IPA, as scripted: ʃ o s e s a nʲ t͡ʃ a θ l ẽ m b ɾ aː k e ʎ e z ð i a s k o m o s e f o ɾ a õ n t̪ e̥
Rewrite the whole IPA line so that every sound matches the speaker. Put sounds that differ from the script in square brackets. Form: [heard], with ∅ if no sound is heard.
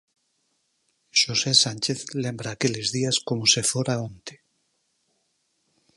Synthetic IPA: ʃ o s e s a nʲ t͡ʃ [e] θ l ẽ m b ɾ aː k e [l] e z ð i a s k o m o s e f o ɾ a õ n t̪ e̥